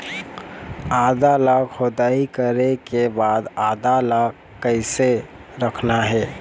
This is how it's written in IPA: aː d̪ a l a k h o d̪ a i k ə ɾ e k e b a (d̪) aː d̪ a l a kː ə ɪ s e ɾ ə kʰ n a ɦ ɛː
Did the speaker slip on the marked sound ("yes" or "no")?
no